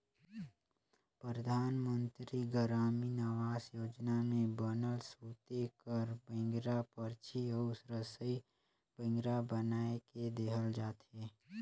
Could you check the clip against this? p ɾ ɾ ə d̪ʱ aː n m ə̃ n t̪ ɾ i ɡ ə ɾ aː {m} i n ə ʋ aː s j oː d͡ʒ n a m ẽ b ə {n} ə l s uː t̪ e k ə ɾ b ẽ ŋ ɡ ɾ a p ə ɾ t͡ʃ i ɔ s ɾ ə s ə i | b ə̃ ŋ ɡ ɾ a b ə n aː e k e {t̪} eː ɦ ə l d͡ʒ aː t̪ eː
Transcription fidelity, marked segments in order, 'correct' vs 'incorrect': correct, correct, incorrect: d̪

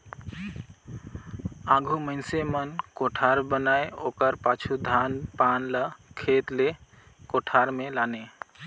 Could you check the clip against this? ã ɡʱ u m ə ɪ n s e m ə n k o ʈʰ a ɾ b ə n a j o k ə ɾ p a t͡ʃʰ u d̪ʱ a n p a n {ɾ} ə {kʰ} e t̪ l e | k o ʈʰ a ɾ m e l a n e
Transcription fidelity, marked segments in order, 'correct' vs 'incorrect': incorrect: l, correct

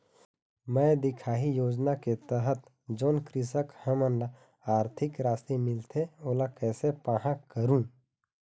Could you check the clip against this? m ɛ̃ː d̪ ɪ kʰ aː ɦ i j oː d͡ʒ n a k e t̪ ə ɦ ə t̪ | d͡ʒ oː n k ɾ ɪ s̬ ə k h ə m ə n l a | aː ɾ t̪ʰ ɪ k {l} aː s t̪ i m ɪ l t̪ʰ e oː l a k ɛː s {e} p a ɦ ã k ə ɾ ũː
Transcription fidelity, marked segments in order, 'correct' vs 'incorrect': incorrect: ɾ, correct

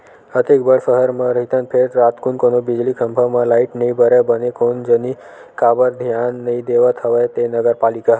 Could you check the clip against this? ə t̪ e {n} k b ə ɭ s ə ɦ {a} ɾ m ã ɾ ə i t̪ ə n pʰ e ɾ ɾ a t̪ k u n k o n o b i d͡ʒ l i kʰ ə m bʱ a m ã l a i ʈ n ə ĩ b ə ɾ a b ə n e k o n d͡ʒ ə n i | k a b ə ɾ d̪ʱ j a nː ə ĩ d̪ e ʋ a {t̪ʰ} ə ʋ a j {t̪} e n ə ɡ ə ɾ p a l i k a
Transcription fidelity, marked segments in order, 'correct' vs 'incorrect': incorrect: none, incorrect: ə, correct, correct

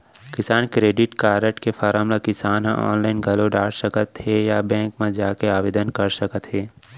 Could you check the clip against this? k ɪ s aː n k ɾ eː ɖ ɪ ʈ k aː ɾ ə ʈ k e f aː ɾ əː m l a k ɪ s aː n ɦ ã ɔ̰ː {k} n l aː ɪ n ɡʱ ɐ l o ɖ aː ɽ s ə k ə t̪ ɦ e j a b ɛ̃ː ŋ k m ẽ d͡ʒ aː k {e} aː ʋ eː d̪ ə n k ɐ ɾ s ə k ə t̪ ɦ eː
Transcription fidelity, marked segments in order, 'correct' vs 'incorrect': incorrect: none, correct

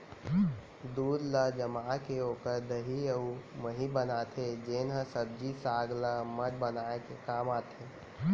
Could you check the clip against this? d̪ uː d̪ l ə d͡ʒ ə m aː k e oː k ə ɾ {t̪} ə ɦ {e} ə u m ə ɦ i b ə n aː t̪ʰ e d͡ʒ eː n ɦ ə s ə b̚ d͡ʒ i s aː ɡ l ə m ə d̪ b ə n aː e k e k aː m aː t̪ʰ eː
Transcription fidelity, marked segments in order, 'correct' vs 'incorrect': incorrect: d̪, incorrect: i

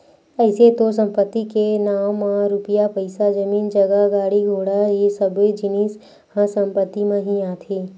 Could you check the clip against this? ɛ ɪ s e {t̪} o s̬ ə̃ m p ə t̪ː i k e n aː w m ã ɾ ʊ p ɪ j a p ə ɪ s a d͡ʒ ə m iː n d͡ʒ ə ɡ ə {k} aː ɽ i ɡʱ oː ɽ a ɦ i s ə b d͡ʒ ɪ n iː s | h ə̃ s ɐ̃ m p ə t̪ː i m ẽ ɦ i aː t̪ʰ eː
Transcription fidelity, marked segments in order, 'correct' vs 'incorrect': correct, incorrect: ɡ

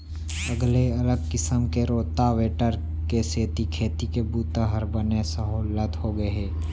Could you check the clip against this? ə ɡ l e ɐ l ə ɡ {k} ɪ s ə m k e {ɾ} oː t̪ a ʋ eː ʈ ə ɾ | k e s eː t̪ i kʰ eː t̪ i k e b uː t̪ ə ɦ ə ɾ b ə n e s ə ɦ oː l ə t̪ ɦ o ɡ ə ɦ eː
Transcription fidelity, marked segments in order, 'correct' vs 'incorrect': correct, correct

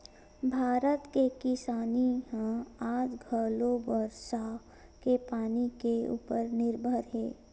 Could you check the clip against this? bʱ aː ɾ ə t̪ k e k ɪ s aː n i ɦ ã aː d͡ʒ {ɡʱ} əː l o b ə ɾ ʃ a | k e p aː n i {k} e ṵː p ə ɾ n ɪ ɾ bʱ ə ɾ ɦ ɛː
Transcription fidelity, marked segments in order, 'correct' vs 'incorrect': correct, correct

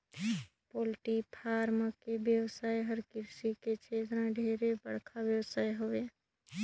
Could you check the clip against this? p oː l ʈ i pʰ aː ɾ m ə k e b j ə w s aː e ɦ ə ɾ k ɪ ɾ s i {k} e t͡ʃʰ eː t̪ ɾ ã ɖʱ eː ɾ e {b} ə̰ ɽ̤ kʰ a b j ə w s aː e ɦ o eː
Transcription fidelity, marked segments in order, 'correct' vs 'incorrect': correct, correct

